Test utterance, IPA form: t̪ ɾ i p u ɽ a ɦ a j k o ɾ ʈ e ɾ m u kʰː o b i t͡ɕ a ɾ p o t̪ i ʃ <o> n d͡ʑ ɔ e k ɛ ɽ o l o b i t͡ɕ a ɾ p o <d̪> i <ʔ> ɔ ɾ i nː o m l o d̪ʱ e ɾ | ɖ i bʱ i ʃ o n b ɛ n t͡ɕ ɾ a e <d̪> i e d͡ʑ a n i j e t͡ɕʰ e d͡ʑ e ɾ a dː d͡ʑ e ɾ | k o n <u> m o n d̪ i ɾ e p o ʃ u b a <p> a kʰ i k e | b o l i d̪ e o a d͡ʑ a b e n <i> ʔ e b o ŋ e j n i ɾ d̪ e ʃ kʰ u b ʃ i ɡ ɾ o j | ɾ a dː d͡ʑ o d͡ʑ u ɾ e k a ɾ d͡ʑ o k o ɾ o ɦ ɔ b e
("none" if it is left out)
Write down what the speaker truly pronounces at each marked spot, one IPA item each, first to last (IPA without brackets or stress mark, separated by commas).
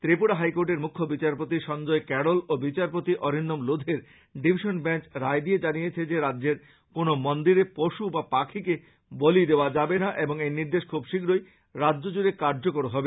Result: ɔ, t̪, ʔ, d̪, o, p, a